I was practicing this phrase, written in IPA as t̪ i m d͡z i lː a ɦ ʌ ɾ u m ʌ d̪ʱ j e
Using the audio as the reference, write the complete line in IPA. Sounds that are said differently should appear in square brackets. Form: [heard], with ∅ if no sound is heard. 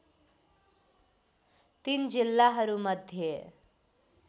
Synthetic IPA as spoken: t̪ i [n] d͡z i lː a ɦ ʌ ɾ u m ʌ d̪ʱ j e

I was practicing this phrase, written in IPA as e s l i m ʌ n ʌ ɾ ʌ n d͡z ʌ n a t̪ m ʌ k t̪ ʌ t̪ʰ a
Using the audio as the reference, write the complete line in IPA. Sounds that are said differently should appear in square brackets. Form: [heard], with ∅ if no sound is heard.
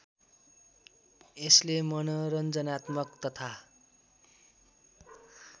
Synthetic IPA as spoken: e s l [e] m ʌ n ʌ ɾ ʌ n d͡z ʌ n a t̪ m ʌ k t̪ ʌ t̪ʰ a

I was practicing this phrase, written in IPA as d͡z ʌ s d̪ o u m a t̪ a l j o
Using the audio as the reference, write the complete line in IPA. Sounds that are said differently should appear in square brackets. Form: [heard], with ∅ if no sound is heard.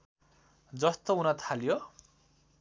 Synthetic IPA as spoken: d͡z ʌ s [t̪] o u [n] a [t̪ʰ] a l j o

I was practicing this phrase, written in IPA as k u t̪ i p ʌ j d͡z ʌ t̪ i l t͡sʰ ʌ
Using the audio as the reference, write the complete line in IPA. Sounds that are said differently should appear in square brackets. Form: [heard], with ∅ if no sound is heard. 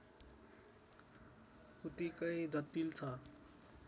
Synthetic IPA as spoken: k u t̪ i [k] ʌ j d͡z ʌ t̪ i l t͡sʰ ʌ

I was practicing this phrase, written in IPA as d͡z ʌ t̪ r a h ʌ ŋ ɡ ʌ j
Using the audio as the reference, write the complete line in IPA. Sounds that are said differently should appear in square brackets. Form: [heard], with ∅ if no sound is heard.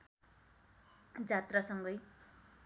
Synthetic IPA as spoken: d͡z [a] t̪ r a [s] ʌ ŋ ɡ ʌ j

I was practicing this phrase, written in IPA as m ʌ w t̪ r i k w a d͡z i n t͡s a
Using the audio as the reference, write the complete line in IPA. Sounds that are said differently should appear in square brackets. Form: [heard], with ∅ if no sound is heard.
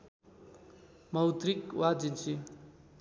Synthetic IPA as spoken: m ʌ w t̪ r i k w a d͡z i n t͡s [i]

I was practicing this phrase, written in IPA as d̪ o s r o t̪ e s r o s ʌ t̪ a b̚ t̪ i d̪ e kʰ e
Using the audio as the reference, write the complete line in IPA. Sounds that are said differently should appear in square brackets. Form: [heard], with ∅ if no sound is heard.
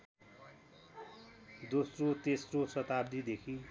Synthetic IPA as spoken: d̪ o s r o t̪ e s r o s ʌ t̪ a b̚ [d̪] i d̪ e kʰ [i]

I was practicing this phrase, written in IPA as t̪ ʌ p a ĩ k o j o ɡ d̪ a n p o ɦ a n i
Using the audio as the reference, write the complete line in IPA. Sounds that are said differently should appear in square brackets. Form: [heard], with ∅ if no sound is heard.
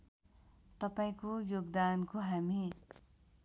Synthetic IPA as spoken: t̪ ʌ p a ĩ k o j o ɡ d̪ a n [k] o ɦ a [m] i

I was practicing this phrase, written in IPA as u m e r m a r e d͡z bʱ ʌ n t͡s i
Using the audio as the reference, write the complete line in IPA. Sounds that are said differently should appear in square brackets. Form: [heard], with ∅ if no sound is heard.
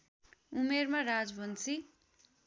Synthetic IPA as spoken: u m e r m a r [a] d͡z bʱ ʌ n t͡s i

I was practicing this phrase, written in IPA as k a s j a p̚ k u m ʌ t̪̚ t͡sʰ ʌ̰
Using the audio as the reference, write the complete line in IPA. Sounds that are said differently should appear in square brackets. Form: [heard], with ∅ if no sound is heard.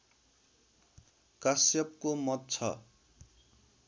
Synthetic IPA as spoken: k a s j [ʌ] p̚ k [o] m ʌ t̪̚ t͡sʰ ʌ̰

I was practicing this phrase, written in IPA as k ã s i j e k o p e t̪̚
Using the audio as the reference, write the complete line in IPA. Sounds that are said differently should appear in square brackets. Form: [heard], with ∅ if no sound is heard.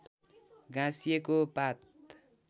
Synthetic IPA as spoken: [ɡ] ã s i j e k o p [a] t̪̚

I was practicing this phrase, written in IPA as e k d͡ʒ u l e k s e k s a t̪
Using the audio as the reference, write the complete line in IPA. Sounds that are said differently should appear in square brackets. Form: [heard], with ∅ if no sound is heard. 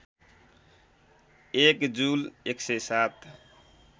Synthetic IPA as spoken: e k d͡ʒ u l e k s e [∅] s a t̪

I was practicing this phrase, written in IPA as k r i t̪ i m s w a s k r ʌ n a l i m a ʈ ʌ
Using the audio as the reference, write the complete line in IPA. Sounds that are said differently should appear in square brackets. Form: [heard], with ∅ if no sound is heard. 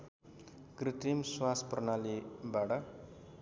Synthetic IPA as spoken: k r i t̪ i m s w a s [p] r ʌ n a l i [b] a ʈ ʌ

